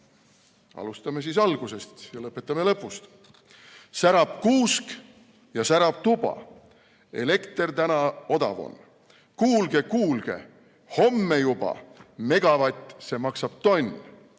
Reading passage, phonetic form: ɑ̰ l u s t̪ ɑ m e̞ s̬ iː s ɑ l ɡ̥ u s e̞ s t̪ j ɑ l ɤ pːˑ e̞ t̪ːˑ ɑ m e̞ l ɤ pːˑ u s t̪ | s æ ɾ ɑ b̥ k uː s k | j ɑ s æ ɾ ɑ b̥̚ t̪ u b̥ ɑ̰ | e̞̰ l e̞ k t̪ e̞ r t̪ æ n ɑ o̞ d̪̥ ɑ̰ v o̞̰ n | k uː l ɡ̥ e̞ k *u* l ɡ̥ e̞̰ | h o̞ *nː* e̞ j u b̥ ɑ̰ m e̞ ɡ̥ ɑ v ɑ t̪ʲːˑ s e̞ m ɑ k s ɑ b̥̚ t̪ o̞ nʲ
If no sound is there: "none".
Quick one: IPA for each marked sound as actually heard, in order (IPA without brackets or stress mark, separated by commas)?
uː, mː